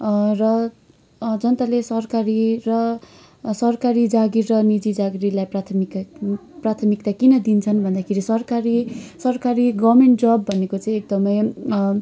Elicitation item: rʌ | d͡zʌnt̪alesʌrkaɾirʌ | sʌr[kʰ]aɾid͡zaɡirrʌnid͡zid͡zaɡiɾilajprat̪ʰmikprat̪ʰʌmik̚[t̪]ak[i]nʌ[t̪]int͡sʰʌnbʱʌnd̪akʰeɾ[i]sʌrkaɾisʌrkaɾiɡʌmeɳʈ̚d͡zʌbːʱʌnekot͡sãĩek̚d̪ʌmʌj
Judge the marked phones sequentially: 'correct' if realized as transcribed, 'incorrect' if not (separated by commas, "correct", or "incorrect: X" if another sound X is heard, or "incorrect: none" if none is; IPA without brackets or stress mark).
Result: incorrect: k, correct, correct, incorrect: d̪, correct